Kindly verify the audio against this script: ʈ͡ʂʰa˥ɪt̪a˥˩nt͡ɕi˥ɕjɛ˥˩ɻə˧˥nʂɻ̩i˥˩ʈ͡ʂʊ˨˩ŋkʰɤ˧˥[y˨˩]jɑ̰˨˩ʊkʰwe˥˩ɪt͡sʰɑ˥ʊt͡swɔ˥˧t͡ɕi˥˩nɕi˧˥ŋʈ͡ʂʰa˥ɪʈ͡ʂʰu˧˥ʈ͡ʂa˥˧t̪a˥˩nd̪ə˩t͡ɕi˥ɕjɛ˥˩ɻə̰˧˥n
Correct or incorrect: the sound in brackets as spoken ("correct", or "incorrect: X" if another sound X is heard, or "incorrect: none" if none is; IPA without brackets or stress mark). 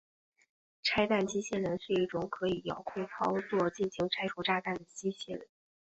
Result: incorrect: i˨˩